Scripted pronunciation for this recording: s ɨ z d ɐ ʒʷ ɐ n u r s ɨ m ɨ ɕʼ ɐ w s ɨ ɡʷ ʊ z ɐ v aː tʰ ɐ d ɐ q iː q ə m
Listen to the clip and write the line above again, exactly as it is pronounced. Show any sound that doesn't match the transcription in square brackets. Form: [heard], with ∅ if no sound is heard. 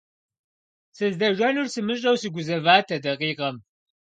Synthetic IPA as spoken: s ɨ z d ɐ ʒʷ ɐ n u r s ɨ m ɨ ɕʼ ɐ w s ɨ ɡʷ ʊ z ɐ v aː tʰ ɐ d ɐ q iː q [ɐ] m